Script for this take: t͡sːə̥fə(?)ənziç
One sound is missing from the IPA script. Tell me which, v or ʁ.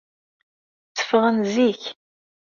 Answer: ʁ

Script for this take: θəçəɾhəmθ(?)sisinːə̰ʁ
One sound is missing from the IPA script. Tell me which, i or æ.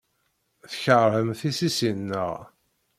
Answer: i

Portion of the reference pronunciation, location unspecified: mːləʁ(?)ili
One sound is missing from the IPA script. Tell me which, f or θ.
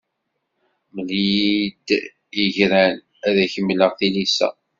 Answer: θ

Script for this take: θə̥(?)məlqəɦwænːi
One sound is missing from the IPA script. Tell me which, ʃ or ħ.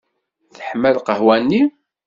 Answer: ħ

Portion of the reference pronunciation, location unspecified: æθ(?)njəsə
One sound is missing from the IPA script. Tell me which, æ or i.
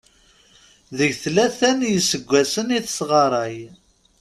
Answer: æ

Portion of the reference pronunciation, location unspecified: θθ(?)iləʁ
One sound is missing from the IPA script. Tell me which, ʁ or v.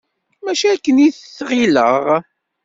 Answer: ʁ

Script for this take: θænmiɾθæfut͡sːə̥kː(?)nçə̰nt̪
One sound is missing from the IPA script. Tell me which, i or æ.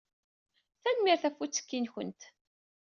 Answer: i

